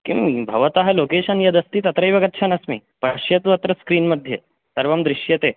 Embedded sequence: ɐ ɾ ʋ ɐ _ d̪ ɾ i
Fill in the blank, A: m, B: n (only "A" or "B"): A